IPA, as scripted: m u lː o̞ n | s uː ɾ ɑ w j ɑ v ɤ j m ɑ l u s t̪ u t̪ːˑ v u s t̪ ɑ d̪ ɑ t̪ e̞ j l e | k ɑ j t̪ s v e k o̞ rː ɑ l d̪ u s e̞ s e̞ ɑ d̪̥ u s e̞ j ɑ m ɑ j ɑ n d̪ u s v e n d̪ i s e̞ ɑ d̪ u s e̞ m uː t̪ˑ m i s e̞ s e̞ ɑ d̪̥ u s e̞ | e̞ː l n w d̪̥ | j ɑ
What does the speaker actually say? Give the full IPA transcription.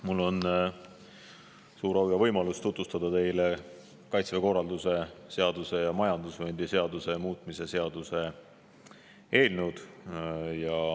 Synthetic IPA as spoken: m u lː o̞ n | s uː ɾ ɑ w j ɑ v ɤ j m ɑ l u s t̪ u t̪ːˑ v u s t̪ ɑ d̪ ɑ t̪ e̞ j l e | k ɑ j t̪ s v e k o̞ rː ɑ l d̪ u s e̞ s e̞ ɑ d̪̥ u s e̞ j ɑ m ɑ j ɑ n d̪ u s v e n d̪ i s e̞ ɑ d̪ u s e̞ m uː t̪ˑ m i s e̞ s e̞ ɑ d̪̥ u s e̞ | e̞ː l n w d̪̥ | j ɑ